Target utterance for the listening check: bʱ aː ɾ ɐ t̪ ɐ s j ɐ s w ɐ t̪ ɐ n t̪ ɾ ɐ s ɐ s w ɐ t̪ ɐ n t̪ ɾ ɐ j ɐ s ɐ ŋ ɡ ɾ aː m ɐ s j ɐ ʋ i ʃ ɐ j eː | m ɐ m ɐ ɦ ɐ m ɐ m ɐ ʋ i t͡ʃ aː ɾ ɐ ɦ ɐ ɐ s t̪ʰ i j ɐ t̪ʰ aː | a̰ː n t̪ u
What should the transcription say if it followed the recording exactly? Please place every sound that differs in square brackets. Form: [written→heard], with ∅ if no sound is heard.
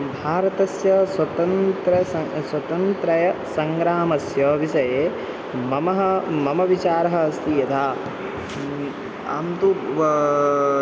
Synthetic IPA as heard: bʱ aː ɾ ɐ t̪ ɐ s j ɐ s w ɐ t̪ ɐ n t̪ ɾ ɐ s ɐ s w ɐ t̪ ɐ n t̪ ɾ ɐ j ɐ s ɐ ŋ ɡ ɾ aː m ɐ s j ɐ ʋ i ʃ ɐ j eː | m ɐ m ɐ ɦ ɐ m ɐ m ɐ ʋ i t͡ʃ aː ɾ ɐ ɦ ɐ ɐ s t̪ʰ i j ɐ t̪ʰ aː | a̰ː [n→m] t̪ u